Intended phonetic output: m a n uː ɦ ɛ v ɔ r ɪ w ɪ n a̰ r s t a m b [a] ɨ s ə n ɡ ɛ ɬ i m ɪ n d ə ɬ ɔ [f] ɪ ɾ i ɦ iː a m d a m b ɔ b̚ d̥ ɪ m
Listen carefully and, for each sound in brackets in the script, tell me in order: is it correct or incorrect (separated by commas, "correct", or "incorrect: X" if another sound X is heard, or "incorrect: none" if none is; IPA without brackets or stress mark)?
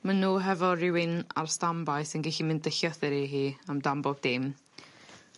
correct, incorrect: θ